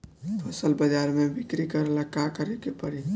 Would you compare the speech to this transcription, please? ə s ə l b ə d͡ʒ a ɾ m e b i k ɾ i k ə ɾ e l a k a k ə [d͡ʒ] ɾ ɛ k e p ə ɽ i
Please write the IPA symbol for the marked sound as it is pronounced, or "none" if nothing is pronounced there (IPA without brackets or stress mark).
none